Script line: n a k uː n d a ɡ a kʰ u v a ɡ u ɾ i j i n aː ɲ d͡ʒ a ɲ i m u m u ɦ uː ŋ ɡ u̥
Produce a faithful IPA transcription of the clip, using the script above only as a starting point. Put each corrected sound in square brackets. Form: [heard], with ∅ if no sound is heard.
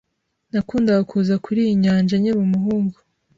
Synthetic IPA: n a k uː n d a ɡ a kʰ u [z] a [k] u ɾ i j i [ɲ] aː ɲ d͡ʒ a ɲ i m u m u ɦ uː ŋ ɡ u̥